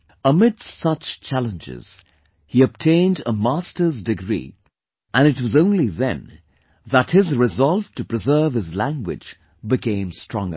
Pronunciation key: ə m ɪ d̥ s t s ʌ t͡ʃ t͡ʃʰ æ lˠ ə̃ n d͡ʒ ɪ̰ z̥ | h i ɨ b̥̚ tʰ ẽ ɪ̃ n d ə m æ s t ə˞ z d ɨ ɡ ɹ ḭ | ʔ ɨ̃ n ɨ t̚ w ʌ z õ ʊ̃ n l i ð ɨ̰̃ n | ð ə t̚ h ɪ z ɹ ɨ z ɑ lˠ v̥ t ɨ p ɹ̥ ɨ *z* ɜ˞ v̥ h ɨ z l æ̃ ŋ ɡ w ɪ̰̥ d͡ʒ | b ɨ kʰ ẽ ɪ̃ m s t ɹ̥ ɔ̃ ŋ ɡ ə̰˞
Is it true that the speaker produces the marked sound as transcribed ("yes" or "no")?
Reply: yes